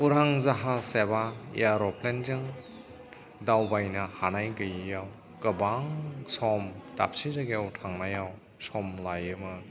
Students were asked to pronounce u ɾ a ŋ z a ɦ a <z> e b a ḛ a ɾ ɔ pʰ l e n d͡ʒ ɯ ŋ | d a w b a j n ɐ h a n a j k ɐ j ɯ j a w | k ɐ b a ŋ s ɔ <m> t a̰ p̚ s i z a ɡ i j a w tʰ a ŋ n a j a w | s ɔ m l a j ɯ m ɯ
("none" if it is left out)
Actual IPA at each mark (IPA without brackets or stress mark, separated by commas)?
s, m